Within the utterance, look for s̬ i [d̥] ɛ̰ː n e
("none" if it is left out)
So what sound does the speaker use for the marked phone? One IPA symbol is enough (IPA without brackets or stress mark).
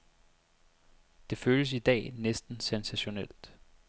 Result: d̥